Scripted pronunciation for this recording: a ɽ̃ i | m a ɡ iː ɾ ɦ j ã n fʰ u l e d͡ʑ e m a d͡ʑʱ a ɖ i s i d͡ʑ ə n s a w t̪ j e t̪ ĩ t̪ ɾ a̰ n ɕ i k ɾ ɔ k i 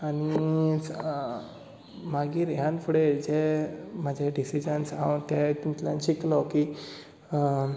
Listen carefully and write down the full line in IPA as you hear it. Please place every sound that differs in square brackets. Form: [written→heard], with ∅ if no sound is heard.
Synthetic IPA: a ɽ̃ i | m a ɡ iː ɾ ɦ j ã n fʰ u [l→ɽ] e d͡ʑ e m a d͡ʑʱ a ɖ i s i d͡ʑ ə n s a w t̪ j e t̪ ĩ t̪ [ɾ→l] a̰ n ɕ i k [ɾ→l] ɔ k i